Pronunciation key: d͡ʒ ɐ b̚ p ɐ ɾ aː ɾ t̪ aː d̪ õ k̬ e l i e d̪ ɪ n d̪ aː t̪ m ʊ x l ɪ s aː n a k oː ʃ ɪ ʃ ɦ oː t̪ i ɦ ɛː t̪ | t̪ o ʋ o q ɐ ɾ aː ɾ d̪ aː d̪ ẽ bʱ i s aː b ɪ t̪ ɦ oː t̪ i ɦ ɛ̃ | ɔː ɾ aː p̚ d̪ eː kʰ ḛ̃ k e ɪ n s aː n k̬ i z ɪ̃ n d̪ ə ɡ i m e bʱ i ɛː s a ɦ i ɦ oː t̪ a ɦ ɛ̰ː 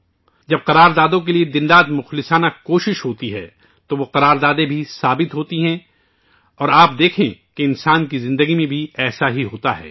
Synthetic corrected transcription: d͡ʒ ɐ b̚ q ɐ ɾ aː ɾ d̪ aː d̪ õ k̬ e l i e d̪ ɪ n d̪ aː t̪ m ʊ x l ɪ s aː n a k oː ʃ ɪ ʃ ɦ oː t̪ i ɦ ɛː | t̪ o ʋ o q ɐ ɾ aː ɾ d̪ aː d̪ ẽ bʱ i s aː b ɪ t̪ ɦ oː t̪ i ɦ ɛ̃ | ɔː ɾ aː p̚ d̪ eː kʰ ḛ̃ k e ɪ n s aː n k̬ i z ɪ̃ n d̪ ə ɡ i m ẽ bʱ i ɛː s a ɦ i ɦ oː t̪ a ɦ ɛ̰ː